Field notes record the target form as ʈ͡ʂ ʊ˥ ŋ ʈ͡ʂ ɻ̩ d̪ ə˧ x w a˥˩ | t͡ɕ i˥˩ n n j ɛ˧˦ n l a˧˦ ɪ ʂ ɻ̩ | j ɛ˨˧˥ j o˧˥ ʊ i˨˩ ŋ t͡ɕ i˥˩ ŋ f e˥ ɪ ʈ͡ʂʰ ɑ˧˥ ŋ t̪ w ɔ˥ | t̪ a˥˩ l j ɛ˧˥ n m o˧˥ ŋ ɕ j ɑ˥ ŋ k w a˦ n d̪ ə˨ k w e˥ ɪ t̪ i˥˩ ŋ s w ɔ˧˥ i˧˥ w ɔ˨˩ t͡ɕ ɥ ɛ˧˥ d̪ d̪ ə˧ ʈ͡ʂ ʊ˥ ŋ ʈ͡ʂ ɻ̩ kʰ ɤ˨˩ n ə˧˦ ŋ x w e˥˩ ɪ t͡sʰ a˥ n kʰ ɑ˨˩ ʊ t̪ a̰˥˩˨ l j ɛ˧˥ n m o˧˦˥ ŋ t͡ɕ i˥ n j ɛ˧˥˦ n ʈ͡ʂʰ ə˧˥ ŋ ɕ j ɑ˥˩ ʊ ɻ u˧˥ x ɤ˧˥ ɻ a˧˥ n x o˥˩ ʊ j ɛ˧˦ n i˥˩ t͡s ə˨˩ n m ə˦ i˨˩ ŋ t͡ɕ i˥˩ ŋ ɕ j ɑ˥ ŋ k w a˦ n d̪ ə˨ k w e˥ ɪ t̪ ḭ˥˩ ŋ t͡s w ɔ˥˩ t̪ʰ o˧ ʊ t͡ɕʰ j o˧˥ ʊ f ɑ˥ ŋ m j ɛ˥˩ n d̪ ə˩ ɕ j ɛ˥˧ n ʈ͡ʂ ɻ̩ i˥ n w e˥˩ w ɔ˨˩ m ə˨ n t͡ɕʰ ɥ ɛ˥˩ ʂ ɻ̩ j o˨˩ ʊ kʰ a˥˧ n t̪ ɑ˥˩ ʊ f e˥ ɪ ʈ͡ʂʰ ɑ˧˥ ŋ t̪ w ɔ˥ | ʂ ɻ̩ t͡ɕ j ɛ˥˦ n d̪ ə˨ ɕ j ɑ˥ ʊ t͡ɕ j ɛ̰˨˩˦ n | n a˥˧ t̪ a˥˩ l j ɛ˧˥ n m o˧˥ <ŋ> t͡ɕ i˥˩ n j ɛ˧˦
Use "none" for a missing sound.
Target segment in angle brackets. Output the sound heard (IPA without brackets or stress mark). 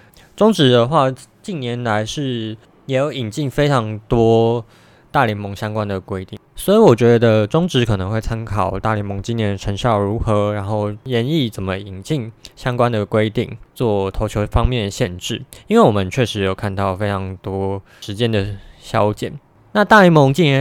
ŋ